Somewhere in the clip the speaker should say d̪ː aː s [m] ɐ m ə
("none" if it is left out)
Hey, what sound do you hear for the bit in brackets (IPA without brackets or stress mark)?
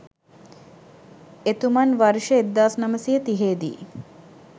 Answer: n